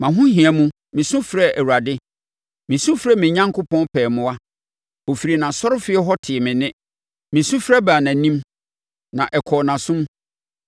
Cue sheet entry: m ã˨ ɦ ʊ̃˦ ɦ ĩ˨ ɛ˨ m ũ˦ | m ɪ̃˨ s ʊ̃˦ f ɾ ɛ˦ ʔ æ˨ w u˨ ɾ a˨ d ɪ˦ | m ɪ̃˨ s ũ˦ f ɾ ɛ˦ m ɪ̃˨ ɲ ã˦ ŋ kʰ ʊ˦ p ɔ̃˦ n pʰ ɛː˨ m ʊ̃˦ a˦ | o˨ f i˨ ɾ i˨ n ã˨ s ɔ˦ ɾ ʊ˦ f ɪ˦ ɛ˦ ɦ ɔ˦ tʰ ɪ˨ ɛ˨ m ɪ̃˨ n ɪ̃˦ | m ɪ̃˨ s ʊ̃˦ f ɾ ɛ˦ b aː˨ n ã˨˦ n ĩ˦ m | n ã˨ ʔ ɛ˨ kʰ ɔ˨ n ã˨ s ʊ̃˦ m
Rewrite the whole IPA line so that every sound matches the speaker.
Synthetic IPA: m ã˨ ɦ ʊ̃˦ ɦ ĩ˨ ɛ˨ m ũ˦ | m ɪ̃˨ s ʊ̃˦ f ɾ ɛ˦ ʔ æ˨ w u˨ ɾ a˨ d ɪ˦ | m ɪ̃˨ s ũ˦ f ɾ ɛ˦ m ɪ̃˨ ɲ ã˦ ŋ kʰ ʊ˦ p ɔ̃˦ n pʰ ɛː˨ m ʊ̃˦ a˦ | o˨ f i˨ ɾ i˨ n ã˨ s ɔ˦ ɾ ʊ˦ f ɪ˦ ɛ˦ ɦ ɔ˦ tʰ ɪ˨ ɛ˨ m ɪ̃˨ n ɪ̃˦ | m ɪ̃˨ s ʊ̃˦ f ɾ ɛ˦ b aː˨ n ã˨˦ n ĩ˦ m | n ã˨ ʔ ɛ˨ kʰ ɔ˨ n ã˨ s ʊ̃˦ m